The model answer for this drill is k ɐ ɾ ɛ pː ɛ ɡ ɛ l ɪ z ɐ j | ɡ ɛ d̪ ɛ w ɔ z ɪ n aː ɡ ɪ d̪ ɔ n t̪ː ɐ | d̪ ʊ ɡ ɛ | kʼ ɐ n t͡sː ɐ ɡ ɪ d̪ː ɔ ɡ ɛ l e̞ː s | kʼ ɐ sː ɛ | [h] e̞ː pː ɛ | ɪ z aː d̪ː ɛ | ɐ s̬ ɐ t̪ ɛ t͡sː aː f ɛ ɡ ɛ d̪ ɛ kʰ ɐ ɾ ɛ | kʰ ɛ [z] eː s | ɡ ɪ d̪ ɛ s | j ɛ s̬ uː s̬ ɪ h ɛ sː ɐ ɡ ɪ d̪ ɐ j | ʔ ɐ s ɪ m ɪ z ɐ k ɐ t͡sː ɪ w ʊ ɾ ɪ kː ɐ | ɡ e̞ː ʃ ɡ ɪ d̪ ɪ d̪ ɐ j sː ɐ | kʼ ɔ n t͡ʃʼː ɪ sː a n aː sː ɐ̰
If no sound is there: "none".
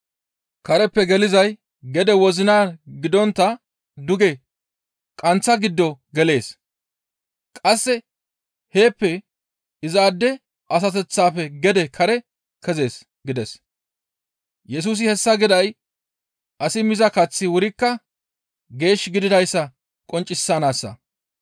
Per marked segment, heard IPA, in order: h, z

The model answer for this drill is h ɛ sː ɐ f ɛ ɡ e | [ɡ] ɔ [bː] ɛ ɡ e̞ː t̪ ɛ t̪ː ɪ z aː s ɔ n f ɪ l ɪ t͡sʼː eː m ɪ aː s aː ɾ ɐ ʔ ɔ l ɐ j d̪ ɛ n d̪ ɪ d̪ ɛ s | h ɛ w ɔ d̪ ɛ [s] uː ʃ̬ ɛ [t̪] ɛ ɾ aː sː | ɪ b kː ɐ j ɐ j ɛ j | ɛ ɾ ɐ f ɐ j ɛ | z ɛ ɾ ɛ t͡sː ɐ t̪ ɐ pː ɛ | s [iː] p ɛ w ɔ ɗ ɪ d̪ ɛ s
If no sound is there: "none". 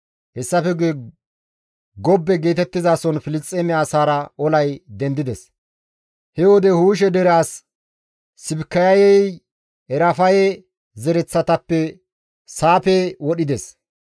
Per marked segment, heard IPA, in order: ɡ, bː, h, d̪, aː

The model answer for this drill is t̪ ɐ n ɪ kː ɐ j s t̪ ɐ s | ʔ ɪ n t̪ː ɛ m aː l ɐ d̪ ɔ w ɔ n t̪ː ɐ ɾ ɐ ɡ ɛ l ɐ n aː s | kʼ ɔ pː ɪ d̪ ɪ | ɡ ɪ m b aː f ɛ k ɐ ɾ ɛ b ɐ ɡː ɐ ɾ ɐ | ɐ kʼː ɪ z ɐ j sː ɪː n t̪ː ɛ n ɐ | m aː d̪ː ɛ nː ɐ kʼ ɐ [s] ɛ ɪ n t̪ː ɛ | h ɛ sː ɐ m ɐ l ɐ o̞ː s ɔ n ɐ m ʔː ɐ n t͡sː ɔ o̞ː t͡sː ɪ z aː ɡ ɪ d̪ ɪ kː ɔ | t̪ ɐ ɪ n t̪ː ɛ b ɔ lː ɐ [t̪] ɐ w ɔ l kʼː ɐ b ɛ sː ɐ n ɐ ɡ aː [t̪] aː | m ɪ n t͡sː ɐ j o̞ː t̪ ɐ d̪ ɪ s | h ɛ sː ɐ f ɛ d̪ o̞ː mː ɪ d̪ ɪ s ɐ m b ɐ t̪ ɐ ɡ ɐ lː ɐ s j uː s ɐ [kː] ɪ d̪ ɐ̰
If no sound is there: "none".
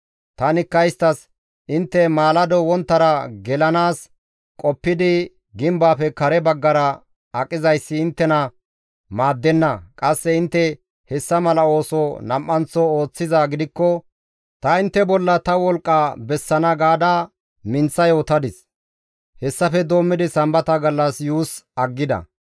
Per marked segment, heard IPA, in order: sː, t̪, d̪, ɡː

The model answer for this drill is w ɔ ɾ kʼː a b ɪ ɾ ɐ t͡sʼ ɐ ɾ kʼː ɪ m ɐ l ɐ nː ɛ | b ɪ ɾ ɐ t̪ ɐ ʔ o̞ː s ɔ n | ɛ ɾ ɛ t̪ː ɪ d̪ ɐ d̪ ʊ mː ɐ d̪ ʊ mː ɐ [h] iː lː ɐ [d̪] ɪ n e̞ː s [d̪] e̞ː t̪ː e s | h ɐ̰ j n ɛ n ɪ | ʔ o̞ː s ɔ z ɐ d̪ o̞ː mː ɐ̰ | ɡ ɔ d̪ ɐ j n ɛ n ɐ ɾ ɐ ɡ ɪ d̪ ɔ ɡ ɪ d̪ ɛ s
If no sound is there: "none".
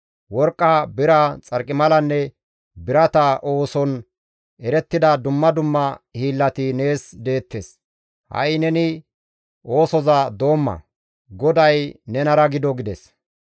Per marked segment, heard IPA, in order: h, t̪, d̪

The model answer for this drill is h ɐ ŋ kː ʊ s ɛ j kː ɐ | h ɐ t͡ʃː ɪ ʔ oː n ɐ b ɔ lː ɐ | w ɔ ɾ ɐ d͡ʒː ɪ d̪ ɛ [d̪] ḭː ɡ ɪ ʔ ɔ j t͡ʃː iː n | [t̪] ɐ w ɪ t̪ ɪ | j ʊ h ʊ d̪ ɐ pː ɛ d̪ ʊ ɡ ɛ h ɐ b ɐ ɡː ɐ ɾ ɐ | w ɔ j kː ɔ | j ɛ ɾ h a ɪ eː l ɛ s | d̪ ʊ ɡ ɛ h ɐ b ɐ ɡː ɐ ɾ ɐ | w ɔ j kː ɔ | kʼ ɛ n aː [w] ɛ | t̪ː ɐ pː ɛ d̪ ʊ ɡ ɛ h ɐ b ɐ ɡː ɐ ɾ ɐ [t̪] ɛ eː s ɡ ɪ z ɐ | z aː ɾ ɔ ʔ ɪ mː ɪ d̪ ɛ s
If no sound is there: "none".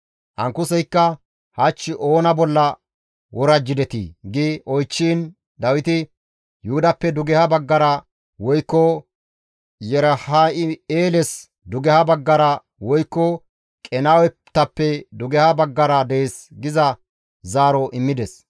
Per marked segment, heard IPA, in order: t̪, d̪, w, d̪

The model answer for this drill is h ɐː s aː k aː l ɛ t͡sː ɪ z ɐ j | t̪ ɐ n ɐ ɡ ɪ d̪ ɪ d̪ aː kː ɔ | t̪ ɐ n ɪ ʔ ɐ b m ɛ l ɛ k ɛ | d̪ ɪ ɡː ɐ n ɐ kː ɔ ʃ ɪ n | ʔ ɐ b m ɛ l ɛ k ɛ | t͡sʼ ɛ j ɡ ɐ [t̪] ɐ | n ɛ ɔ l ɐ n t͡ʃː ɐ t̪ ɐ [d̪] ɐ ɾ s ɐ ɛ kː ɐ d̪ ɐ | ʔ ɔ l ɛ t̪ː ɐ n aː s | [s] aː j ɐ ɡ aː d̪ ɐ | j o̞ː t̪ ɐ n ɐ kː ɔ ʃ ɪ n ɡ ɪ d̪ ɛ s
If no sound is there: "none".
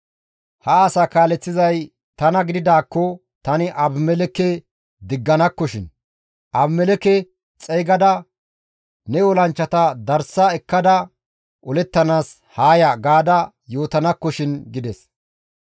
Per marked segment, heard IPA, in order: d̪, d̪, h

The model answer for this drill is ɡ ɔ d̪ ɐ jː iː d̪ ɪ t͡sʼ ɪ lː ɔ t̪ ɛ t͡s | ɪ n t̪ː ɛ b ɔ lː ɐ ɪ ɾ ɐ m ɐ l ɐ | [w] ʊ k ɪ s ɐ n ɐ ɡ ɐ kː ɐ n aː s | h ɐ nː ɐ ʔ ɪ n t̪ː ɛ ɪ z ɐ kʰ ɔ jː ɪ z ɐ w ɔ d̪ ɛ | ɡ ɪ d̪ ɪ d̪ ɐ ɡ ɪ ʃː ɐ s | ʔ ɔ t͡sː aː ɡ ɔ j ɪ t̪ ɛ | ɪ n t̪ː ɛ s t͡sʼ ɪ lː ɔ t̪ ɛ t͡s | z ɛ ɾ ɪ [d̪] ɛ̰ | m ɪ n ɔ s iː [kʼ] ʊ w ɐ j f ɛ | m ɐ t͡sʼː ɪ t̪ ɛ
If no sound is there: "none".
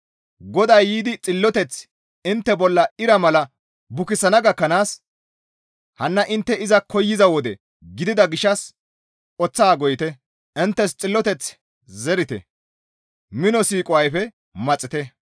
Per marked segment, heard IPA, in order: b, t̪, kʼ

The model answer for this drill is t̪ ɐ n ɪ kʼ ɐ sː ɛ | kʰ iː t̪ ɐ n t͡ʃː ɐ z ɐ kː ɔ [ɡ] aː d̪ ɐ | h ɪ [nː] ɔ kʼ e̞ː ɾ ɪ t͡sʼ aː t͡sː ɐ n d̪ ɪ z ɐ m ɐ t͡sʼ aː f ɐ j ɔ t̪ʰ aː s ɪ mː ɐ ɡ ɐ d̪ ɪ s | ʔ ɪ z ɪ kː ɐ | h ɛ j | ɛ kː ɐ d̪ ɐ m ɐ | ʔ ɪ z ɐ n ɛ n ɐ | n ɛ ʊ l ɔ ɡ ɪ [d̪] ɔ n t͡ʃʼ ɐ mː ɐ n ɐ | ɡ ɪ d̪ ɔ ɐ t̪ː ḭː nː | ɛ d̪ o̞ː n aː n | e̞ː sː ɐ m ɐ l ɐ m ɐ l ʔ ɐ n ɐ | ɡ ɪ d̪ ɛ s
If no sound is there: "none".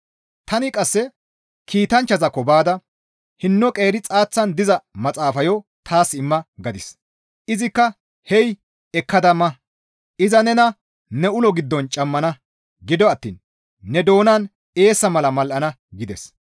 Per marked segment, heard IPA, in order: b, nː, d̪ː

